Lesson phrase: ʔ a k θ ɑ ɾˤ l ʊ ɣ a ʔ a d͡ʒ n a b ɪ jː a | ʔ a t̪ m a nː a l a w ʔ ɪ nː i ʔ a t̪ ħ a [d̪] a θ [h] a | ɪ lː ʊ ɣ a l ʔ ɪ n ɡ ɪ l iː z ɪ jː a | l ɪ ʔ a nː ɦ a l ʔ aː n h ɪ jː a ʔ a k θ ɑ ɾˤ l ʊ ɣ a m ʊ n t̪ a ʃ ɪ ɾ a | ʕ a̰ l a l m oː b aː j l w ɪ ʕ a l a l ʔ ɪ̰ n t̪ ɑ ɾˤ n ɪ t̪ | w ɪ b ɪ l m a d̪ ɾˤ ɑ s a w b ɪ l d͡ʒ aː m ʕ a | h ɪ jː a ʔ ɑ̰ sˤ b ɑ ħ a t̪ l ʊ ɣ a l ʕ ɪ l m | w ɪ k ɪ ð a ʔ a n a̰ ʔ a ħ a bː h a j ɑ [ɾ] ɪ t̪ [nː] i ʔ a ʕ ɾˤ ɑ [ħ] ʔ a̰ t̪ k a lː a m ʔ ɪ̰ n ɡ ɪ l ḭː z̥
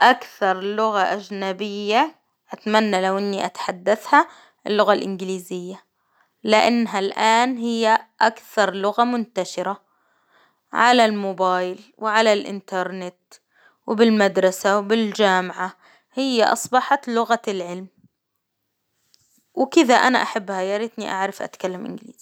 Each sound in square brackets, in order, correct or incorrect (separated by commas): incorrect, correct, correct, incorrect, incorrect